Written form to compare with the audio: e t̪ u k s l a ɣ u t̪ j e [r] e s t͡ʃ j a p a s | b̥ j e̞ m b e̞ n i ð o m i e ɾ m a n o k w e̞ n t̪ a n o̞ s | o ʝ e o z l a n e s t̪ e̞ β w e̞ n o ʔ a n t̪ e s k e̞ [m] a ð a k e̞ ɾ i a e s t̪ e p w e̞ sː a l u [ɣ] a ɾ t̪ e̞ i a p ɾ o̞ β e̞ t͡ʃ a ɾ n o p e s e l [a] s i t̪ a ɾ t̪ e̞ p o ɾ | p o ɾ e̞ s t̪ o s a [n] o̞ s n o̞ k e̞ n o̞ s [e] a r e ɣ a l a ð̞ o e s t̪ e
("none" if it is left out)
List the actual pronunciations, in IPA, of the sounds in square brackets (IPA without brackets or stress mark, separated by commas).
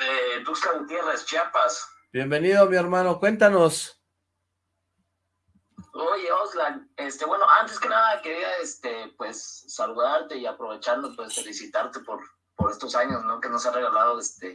r, n, ð, i, ɲ, e